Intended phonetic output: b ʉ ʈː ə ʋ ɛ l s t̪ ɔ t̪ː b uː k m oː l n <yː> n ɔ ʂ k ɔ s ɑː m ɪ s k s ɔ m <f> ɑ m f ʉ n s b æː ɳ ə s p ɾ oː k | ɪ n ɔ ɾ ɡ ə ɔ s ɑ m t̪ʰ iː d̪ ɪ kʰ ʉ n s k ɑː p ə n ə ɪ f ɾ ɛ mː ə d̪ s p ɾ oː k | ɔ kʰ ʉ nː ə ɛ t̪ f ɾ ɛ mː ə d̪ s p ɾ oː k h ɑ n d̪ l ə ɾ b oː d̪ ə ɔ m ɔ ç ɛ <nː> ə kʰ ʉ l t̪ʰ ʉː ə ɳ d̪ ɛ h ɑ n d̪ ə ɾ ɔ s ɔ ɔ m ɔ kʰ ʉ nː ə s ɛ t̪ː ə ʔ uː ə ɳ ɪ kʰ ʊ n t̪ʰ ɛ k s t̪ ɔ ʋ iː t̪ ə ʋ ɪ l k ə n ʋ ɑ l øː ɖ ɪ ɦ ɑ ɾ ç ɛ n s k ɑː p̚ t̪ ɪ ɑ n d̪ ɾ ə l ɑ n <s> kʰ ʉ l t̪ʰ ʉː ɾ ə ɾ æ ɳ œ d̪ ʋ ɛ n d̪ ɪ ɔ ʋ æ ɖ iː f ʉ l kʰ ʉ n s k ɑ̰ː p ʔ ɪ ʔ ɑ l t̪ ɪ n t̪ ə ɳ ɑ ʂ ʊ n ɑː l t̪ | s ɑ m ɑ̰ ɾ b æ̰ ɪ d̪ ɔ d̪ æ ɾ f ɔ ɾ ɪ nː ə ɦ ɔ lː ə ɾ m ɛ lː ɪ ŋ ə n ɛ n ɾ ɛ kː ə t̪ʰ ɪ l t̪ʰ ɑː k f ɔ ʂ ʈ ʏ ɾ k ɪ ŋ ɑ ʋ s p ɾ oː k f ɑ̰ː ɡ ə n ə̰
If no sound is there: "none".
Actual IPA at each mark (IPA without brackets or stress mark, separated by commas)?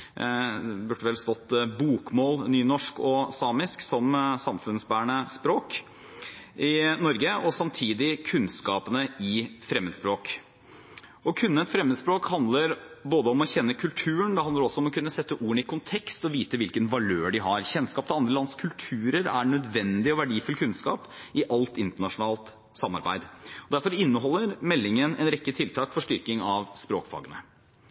yː, s, nː, s